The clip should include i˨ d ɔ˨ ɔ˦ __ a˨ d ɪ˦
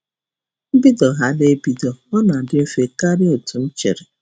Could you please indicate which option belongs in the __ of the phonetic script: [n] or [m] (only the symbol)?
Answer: n